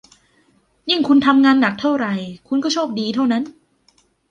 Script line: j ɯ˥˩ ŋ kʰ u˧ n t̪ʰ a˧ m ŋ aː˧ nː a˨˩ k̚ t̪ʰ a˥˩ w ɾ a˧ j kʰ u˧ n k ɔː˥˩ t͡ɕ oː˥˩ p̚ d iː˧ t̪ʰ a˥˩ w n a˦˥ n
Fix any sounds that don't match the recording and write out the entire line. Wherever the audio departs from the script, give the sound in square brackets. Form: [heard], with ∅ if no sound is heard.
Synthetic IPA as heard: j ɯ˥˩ ŋ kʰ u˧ n t̪ʰ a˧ m ŋ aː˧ nː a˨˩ k̚ t̪ʰ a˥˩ w ɾ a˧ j kʰ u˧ n k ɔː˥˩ [t͡ɕʰ] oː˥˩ p̚ d iː˧ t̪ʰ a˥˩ w n a˦˥ n